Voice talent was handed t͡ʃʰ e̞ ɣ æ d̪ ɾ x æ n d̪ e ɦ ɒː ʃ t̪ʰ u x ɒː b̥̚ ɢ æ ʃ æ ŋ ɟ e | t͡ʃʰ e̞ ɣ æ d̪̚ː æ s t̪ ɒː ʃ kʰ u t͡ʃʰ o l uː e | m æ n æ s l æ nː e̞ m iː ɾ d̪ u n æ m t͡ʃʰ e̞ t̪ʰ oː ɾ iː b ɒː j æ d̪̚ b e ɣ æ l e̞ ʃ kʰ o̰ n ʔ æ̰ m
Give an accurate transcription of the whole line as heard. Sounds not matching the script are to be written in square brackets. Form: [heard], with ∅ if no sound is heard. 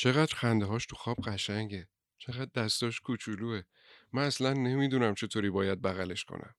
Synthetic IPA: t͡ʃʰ e̞ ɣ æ d̪ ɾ x æ n d̪ e ɦ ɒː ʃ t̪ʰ u x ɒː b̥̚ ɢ æ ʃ æ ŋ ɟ e | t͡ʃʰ e̞ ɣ æ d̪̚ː æ s t̪ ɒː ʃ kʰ u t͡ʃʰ [u] l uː e | m æ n æ s l æ nː e̞ m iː [∅] d̪ u n æ m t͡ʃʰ e̞ t̪ʰ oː ɾ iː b ɒː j æ d̪̚ b [æ] ɣ æ l e̞ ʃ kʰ o̰ n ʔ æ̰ m